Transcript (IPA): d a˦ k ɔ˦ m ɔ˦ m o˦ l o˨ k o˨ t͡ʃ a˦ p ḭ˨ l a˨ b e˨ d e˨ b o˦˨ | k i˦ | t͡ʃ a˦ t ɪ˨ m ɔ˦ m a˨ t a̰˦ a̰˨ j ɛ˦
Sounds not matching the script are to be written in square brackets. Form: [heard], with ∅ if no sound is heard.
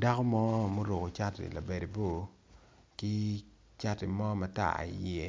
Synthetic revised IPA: d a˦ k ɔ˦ m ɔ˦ m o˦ [ɾ] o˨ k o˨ t͡ʃ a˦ [t] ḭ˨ l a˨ b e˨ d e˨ b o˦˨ | k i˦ | t͡ʃ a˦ t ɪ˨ m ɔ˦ m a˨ t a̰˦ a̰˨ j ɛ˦